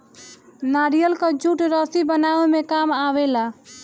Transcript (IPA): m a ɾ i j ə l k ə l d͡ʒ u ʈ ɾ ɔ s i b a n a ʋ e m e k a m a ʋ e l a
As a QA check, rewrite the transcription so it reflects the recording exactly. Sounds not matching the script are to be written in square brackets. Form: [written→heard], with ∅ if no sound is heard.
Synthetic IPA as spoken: [m→n] a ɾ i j ə l k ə [l→∅] d͡ʒ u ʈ ɾ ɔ s i b [a→ə] n a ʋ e m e k a m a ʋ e l a